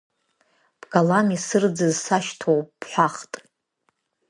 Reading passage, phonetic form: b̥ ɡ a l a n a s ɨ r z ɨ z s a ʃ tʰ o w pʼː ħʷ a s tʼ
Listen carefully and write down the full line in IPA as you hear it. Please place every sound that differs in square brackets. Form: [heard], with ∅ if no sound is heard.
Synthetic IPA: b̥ ɡ a l a n [i] s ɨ r [d͡z] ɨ z s a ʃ tʰ o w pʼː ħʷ a [χ] tʼ